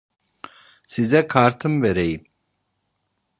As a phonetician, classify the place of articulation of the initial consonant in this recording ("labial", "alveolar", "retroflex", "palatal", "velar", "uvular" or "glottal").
alveolar